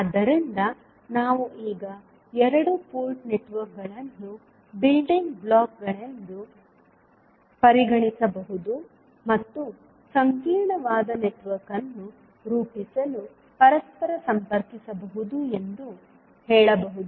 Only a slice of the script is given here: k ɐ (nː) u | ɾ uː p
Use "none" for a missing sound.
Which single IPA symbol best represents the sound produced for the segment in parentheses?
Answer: nː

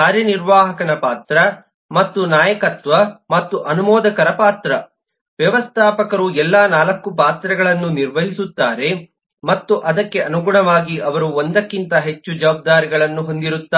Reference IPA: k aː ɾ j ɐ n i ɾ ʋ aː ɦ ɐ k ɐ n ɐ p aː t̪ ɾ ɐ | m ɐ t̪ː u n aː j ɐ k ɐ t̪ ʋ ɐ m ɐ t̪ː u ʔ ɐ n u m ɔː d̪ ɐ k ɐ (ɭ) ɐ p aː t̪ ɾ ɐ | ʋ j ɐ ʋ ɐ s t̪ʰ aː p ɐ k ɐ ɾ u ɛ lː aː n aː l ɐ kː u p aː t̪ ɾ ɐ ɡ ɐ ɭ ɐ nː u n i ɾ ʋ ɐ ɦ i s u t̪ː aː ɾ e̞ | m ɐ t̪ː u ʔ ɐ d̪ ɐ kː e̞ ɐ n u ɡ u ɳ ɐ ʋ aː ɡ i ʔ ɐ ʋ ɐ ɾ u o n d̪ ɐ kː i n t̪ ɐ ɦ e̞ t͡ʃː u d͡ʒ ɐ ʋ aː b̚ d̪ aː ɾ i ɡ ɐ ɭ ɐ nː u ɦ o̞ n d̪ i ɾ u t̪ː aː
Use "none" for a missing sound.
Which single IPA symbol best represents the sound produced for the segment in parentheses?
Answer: ɾ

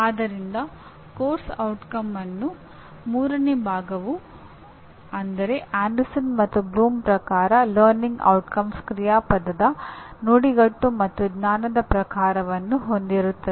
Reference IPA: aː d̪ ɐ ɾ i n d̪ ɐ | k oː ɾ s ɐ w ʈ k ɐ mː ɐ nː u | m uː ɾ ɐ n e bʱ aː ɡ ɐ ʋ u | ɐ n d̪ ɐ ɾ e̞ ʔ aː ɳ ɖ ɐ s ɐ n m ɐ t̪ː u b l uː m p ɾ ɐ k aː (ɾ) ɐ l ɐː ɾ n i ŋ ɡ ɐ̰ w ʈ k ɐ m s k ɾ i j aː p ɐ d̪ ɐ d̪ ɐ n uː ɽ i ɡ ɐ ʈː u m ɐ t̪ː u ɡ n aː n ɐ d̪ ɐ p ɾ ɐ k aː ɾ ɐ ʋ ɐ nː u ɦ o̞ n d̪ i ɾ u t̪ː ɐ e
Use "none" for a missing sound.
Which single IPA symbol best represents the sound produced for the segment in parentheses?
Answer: ɾ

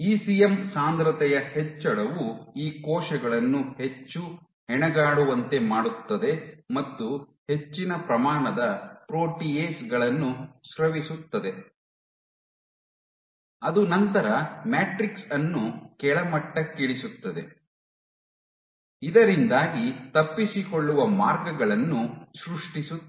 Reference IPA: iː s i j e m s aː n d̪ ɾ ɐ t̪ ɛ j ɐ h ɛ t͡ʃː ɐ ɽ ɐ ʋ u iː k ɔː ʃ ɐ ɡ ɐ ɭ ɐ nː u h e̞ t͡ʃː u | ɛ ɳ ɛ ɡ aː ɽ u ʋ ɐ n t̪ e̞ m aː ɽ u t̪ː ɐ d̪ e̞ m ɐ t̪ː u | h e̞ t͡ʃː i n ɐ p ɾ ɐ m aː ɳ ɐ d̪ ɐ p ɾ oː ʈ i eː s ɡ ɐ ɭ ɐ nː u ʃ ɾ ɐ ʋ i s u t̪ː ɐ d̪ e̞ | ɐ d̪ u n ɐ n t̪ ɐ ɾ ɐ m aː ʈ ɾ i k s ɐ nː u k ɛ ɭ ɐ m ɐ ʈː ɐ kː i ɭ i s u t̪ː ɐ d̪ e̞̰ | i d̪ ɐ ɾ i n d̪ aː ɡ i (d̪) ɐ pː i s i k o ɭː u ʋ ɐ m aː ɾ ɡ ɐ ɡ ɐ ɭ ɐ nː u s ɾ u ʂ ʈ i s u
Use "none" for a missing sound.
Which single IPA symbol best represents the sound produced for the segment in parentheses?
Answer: t̪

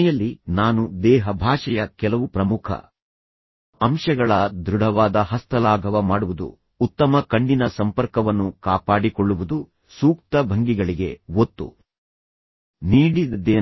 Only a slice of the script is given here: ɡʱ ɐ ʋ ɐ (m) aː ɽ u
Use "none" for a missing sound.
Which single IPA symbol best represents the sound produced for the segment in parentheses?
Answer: m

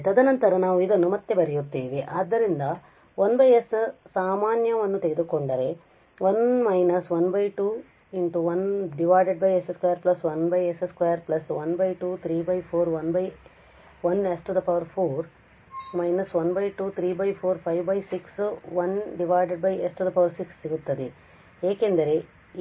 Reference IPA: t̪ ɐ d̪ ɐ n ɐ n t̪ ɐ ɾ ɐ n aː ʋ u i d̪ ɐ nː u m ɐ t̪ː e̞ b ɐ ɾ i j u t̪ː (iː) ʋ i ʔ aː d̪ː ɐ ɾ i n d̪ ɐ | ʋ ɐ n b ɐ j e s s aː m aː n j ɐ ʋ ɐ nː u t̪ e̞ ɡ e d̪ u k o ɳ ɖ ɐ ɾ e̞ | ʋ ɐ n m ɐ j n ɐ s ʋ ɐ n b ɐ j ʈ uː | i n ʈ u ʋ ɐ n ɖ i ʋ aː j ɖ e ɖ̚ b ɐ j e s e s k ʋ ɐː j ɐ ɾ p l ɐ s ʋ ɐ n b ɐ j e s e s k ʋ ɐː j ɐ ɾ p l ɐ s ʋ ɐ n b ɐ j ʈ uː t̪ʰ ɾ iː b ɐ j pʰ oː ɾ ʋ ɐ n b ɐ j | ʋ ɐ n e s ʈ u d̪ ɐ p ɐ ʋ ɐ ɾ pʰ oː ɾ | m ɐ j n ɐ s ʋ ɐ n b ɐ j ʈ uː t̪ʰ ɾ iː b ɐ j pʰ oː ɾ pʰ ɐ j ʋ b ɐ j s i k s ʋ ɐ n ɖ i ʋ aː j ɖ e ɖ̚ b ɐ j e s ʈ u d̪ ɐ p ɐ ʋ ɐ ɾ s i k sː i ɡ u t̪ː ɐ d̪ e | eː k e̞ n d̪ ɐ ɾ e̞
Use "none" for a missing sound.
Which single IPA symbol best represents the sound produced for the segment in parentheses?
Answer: iː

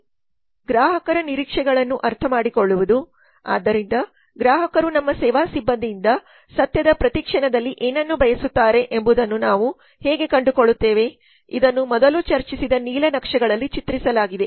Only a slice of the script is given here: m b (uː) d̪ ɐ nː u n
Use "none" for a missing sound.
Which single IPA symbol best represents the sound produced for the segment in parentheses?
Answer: u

